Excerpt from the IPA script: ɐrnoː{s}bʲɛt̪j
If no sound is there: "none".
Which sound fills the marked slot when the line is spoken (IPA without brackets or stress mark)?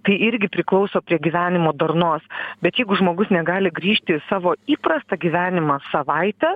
s